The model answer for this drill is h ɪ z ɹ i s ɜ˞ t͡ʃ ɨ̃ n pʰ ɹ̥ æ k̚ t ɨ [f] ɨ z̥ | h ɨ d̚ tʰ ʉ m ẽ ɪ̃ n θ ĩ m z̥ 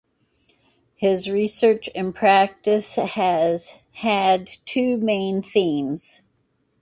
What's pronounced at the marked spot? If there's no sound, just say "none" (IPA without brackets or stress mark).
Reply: s